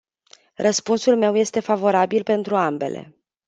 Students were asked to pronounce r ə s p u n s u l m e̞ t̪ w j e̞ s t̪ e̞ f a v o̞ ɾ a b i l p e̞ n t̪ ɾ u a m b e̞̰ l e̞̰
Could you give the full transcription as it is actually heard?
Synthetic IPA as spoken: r ə s p u n s u l m e̞ w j e̞ s t̪ e̞ f a v o̞ ɾ a b i l p e̞ n t̪ ɾ u a m b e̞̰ l e̞̰